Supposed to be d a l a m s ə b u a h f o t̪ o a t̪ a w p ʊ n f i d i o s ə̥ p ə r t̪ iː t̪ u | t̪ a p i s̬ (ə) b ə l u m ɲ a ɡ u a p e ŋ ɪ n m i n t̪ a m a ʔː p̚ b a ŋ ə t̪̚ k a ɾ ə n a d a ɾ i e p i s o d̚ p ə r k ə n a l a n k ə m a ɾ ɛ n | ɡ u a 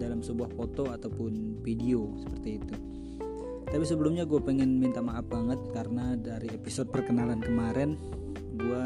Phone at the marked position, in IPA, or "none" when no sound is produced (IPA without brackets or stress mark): ə